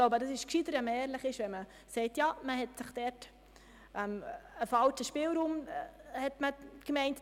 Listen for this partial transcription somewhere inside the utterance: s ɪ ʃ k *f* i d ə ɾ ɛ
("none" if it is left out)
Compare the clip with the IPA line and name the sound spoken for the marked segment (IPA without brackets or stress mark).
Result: ʃ